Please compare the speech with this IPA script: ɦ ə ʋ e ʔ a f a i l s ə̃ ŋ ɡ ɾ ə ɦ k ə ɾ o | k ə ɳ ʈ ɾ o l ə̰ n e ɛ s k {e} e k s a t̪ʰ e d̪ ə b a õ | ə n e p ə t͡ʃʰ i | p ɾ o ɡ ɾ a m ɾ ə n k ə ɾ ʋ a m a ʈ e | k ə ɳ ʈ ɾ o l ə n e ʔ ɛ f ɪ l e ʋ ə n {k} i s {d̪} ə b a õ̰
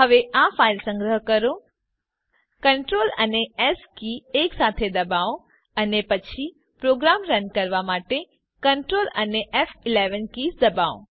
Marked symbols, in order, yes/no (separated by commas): no, yes, yes